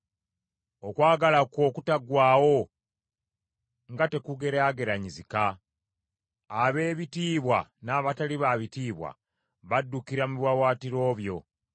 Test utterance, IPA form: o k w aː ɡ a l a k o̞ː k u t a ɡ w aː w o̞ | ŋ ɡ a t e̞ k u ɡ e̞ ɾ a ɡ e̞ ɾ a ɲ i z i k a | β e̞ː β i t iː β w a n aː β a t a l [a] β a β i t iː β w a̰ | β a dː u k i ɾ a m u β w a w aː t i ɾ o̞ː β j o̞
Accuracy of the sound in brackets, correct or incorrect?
incorrect: i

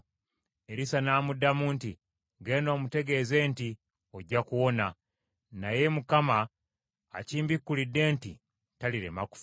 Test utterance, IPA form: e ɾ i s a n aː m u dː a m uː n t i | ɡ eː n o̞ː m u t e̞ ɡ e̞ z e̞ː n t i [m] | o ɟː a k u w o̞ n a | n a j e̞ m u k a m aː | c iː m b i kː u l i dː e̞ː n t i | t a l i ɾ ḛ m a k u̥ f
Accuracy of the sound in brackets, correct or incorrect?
incorrect: none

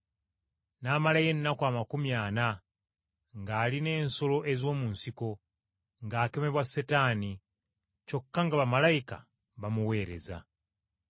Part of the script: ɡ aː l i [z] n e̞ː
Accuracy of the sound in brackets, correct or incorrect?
incorrect: none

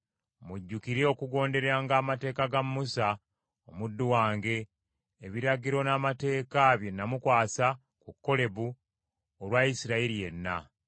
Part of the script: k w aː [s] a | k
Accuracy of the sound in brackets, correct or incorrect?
correct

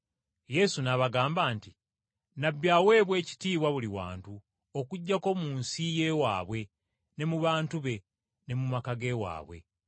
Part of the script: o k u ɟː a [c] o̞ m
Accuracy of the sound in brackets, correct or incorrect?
incorrect: k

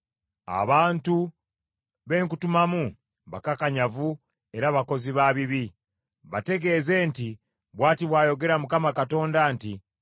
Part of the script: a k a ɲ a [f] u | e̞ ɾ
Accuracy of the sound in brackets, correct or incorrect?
incorrect: v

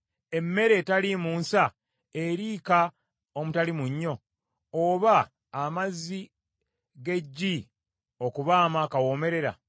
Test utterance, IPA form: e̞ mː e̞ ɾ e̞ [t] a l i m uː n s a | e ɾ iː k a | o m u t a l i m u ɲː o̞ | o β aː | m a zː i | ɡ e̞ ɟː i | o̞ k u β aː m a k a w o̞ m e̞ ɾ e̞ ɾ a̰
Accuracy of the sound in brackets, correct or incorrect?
correct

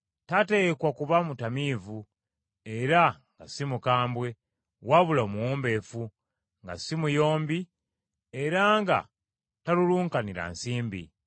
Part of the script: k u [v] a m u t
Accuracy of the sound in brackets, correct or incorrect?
incorrect: β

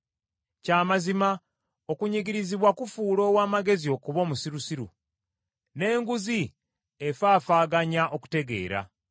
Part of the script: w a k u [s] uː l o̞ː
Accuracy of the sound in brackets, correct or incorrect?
incorrect: f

